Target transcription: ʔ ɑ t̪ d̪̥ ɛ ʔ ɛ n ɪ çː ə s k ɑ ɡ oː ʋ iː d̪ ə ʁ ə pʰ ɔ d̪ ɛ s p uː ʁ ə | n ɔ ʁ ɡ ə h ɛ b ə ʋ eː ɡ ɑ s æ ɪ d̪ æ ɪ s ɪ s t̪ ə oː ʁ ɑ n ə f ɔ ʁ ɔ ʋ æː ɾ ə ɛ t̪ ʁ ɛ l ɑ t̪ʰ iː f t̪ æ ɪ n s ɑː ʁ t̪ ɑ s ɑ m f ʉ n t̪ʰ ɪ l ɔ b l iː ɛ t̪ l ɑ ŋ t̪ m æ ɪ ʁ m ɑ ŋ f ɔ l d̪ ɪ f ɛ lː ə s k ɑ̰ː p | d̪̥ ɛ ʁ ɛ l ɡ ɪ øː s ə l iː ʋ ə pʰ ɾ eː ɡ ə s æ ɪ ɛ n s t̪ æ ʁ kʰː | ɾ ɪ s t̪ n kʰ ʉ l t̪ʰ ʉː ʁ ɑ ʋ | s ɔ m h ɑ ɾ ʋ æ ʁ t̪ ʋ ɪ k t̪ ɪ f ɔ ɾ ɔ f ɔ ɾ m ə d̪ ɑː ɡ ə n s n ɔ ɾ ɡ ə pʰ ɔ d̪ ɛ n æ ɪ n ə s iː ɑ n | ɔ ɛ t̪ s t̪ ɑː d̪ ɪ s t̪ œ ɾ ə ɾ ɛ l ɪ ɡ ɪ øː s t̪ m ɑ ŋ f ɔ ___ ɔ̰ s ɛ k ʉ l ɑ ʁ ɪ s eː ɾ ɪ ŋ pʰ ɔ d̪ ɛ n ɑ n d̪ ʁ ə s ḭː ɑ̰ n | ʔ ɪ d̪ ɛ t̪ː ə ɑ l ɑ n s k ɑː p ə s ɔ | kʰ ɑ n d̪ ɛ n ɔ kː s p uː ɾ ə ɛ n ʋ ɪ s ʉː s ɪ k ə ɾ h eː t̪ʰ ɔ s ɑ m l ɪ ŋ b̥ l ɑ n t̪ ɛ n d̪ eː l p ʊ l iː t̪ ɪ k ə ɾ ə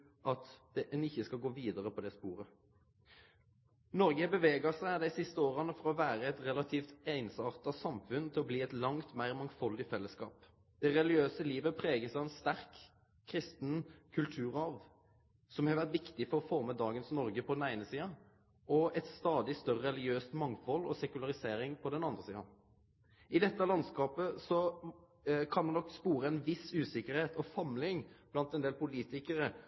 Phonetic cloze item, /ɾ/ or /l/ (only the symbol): l